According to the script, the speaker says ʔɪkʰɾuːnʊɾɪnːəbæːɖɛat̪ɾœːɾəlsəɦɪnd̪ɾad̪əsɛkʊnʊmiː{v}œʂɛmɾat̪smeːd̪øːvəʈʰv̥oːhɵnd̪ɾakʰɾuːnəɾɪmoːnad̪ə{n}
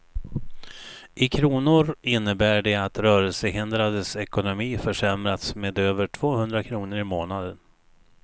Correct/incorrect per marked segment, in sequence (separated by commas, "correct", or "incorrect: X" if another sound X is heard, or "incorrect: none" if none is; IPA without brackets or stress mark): incorrect: f, correct